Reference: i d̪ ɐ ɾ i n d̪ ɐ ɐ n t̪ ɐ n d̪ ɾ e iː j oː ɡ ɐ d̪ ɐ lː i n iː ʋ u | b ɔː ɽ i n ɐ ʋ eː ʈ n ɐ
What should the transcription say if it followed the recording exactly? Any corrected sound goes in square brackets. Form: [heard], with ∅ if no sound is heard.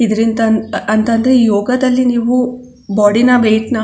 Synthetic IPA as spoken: i d̪ ɐ ɾ i n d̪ ɐ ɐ n t̪ ɐ n d̪ ɾ e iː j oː ɡ ɐ d̪ ɐ lː i n iː ʋ u | b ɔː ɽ i n ɐ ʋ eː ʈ n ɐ